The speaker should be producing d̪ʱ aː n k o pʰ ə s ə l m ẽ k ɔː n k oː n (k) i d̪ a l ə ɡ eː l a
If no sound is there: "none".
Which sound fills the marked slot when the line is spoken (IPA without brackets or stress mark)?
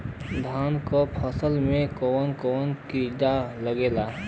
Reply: k